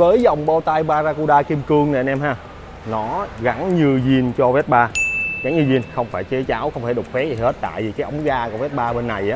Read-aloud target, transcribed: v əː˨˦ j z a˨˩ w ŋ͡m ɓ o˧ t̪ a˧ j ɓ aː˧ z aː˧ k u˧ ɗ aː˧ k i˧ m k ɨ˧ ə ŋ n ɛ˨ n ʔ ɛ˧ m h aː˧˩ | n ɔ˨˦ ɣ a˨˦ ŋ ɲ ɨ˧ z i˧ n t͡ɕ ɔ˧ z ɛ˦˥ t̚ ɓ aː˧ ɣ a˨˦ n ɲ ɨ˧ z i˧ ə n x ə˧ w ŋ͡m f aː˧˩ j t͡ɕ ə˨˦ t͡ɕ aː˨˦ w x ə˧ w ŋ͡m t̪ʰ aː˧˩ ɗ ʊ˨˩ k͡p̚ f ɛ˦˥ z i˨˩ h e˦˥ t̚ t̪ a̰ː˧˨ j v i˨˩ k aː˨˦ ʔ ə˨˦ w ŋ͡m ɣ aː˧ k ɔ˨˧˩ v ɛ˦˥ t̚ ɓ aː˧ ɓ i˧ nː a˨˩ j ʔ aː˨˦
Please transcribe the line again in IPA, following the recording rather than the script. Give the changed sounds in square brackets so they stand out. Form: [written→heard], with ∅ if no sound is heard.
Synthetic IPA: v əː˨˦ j z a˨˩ w ŋ͡m ɓ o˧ t̪ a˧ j ɓ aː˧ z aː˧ k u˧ ɗ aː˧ k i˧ m k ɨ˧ ə ŋ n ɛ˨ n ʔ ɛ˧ m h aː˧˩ | n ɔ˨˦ ɣ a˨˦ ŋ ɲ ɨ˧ z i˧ n t͡ɕ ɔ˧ [z→v] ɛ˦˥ t̚ ɓ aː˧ ɣ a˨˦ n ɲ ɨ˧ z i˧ ə n x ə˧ w ŋ͡m f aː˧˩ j t͡ɕ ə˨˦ t͡ɕ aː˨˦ w x ə˧ w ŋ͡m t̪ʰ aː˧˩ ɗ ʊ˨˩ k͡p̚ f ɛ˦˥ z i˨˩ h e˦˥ t̚ t̪ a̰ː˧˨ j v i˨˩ k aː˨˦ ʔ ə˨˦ w ŋ͡m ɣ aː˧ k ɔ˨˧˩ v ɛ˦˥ t̚ ɓ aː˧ ɓ [i˧→e˧] nː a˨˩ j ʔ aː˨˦

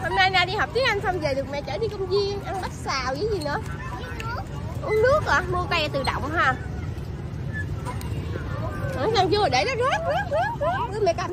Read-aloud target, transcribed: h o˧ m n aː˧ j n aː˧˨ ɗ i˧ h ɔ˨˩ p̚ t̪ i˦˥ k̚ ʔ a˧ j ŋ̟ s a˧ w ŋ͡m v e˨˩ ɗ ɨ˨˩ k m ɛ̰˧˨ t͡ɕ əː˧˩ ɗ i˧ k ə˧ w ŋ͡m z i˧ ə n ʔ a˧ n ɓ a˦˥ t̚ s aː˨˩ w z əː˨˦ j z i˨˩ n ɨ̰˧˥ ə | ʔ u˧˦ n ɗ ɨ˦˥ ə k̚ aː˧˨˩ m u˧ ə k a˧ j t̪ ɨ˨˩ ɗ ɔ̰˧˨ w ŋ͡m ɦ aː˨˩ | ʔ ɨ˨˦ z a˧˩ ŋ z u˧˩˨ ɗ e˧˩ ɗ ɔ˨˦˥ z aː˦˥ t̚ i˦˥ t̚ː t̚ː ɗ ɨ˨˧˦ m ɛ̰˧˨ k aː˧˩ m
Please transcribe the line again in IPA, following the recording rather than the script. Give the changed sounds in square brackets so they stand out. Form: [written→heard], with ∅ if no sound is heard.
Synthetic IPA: h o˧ m n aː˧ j n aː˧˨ ɗ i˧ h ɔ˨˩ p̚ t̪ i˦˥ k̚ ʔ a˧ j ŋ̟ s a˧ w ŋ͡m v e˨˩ ɗ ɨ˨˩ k m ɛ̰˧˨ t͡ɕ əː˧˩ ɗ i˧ k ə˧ w ŋ͡m z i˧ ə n ʔ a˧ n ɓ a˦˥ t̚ s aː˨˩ w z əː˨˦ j z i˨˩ n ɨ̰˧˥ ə | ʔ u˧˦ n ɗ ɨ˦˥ ə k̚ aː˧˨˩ m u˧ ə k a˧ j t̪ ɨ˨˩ ɗ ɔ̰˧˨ w ŋ͡m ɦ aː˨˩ | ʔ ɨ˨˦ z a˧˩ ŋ z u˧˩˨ ɗ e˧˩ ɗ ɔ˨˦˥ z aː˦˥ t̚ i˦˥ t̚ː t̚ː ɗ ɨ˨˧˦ m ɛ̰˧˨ k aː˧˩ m

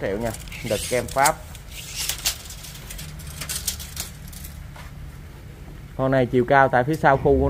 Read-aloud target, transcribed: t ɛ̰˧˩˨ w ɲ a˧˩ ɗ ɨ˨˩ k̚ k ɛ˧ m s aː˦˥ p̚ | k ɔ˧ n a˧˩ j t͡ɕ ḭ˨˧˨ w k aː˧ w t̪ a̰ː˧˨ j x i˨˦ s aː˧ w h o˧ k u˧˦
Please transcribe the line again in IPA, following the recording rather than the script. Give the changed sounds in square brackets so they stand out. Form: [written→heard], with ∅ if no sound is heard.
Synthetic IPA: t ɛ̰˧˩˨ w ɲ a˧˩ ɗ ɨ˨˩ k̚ k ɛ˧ m [s→f] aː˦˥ p̚ | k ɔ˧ n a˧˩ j t͡ɕ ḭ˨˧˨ w k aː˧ w t̪ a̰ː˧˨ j [x→f] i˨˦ s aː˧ w [h→x] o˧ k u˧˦

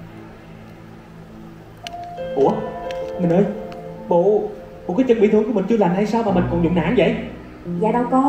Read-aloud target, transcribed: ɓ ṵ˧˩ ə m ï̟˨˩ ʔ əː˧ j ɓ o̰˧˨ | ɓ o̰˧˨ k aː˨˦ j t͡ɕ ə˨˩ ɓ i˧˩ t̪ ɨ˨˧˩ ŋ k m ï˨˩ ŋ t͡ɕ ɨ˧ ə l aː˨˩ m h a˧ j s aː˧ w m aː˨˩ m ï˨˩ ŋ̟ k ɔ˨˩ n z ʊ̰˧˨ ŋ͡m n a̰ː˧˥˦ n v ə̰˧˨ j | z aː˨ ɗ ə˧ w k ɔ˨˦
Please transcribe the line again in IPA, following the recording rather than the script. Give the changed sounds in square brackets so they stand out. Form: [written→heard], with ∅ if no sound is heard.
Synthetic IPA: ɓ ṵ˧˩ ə m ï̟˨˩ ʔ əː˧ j ɓ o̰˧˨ | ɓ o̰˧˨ k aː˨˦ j t͡ɕ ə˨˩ ɓ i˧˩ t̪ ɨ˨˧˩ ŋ k m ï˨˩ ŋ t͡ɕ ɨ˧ ə l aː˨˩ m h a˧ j s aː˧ w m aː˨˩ m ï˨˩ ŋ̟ k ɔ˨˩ n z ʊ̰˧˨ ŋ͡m n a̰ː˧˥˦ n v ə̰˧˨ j | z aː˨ ɗ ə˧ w k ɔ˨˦

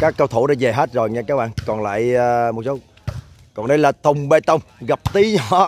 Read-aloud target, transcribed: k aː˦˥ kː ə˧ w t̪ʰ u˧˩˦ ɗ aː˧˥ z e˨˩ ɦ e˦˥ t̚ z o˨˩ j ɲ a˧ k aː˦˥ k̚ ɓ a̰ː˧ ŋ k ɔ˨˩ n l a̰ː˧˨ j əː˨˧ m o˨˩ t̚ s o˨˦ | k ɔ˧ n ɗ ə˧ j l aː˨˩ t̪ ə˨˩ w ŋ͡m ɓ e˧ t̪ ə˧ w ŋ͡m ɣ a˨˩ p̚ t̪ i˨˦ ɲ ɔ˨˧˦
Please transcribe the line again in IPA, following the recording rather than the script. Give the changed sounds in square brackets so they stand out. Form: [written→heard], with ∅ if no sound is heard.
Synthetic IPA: k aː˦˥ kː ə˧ w t̪ʰ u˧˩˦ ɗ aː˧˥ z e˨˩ ɦ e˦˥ t̚ z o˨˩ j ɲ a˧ k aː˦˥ k̚ ɓ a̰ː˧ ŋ k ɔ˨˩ n l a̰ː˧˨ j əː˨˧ m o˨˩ t̚ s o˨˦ | k [ɔ˧→ɔ˨˩] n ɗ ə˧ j l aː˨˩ t̪ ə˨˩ w ŋ͡m ɓ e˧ t̪ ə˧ w ŋ͡m ɣ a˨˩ p̚ t̪ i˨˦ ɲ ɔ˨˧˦

